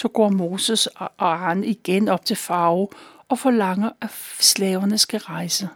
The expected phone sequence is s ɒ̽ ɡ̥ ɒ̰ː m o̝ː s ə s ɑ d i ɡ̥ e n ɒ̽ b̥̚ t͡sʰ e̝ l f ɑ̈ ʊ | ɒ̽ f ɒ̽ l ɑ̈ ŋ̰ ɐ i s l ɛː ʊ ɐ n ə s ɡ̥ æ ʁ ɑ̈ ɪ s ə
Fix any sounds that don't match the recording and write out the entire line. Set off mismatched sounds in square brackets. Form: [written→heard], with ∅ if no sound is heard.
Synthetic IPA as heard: s ɒ̽ ɡ̥ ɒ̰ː m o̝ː s ə s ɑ [d→n] i ɡ̥ e n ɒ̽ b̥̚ t͡sʰ e̝ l f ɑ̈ ʊ | ɒ̽ f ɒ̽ l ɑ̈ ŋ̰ ɐ [i→æ] s l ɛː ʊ ɐ n ə s ɡ̥ æ ʁ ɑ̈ ɪ s ə